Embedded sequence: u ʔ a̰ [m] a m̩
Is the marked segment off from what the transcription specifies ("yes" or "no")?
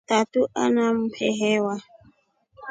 yes